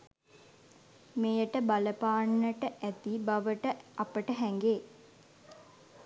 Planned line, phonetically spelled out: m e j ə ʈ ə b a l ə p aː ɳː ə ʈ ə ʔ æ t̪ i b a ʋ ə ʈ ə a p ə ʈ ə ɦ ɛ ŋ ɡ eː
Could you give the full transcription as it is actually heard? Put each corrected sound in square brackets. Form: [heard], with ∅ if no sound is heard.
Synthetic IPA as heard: m e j ə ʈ ə b a l ə p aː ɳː ə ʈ ə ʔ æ t̪ i b a ʋ ə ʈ ə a p ə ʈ ə ɦ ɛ ŋ ɡ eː